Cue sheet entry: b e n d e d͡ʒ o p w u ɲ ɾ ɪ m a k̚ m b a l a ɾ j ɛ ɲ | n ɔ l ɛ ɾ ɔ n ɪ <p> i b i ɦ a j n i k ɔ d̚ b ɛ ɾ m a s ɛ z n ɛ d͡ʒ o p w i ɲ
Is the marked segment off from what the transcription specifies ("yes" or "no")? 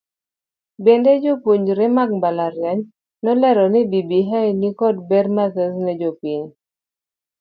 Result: yes